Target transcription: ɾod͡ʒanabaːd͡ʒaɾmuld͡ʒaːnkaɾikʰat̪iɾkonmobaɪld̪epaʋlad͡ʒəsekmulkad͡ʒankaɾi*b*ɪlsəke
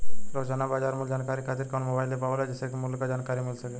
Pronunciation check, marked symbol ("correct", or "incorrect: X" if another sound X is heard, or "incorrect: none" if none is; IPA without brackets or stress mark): incorrect: m